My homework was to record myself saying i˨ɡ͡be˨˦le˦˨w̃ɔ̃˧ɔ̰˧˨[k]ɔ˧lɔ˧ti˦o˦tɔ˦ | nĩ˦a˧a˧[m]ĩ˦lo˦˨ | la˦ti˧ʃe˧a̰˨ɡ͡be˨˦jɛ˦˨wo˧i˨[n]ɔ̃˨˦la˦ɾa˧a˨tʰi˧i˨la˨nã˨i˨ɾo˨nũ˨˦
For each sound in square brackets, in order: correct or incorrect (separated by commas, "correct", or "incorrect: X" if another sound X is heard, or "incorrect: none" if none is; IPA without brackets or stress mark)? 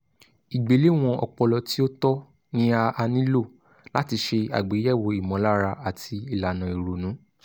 incorrect: k͡p, incorrect: n, incorrect: m